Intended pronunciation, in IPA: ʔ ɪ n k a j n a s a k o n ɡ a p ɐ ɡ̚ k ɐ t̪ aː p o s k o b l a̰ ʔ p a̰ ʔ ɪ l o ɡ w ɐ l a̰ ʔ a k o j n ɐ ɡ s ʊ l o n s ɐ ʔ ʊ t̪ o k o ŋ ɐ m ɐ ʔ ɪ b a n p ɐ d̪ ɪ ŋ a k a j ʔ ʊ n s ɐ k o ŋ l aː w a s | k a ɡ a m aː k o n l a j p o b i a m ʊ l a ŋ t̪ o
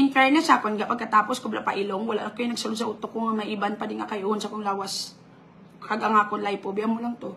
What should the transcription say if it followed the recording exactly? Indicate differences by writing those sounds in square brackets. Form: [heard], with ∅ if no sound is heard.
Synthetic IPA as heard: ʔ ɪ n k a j n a s a k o n ɡ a p ɐ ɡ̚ k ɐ t̪ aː p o s k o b l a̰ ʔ p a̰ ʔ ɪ l o [ŋ] w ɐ l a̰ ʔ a k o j n ɐ ɡ s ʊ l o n s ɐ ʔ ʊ t̪ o k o ŋ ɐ m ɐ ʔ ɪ b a n p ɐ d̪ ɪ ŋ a k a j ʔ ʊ n s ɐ k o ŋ l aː w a s | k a ɡ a [ŋ] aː k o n l a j p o b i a m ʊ l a ŋ t̪ o